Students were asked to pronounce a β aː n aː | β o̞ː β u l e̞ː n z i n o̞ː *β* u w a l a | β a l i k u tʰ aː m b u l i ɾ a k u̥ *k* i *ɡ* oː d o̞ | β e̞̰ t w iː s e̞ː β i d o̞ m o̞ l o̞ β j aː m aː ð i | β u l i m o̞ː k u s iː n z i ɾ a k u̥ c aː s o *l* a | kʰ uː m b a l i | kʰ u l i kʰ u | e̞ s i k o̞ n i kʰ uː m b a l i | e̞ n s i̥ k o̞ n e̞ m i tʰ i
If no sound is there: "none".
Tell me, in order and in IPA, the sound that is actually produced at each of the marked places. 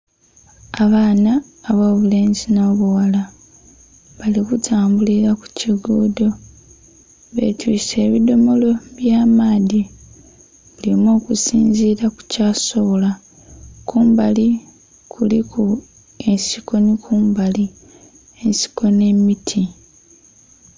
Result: β, c, ɡ, l

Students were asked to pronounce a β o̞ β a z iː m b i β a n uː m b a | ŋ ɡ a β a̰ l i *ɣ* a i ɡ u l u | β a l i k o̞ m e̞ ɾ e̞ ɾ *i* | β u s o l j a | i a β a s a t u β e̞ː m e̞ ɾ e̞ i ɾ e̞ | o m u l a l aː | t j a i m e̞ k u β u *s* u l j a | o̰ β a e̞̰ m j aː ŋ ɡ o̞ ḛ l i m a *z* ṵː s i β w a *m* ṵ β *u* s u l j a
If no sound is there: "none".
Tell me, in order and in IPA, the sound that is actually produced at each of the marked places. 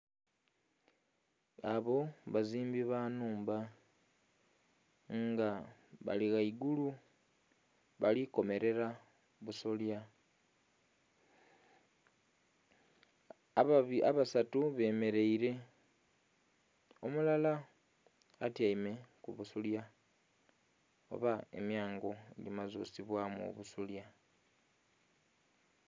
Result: ɣ, a, s, z, m, u

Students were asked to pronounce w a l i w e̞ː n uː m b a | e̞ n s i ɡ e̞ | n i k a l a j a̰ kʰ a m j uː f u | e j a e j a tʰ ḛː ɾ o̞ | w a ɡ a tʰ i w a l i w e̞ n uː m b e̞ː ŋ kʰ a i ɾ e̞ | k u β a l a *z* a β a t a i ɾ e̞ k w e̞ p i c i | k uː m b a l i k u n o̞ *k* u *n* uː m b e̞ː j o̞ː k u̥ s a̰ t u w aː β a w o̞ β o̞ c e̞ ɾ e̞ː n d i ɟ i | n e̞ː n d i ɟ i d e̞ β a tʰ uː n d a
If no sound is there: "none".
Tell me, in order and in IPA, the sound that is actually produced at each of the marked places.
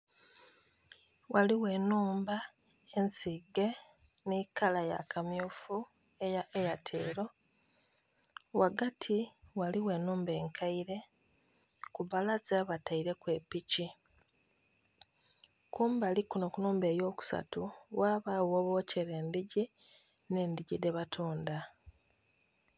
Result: z, k, n

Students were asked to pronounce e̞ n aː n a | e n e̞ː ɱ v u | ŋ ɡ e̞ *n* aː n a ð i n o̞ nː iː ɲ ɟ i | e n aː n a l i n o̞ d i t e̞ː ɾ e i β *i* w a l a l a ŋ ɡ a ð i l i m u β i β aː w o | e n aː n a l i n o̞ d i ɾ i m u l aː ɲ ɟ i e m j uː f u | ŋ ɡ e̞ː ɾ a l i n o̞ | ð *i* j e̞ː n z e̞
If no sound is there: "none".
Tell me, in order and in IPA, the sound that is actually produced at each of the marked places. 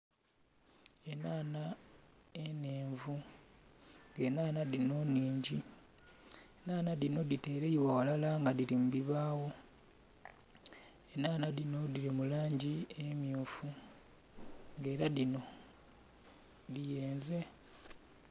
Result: n, a, i

